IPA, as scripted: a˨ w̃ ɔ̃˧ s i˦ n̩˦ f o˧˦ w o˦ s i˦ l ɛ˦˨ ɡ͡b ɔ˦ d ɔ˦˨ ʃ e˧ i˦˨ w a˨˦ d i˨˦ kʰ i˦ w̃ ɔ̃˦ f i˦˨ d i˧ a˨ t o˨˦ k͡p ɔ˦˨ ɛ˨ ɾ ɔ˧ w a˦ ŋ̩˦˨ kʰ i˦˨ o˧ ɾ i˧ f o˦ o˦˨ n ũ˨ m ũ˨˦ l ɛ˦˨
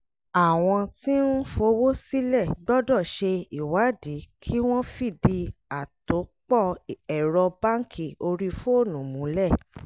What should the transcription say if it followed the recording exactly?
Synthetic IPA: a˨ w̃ ɔ̃˧ t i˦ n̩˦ f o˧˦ w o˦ s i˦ l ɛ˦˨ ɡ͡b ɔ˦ d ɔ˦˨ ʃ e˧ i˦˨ w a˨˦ d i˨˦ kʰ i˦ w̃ ɔ̃˦ f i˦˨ d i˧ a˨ t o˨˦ k͡p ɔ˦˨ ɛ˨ ɾ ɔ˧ b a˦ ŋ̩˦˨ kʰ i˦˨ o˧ ɾ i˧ f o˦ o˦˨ n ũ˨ m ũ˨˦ l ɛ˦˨